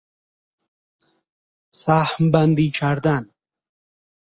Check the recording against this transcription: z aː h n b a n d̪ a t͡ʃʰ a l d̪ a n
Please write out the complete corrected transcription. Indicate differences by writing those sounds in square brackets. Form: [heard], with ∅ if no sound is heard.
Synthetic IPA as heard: [s] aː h [m] b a n d̪ [i] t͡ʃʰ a [ɾ] d̪ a n